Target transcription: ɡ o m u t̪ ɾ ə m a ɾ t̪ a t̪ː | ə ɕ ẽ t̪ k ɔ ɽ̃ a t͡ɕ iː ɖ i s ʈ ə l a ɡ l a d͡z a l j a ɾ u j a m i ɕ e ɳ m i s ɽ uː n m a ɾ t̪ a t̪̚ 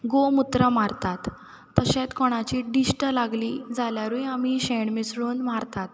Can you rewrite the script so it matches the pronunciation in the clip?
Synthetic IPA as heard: ɡ o m u t̪ ɾ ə m a ɾ t̪ a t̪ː | ə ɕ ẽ t̪ k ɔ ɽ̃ a t͡ɕ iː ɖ i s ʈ ə l a ɡ l i d͡z a l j a ɾ u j a m i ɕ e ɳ m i s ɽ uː n m a ɾ t̪ a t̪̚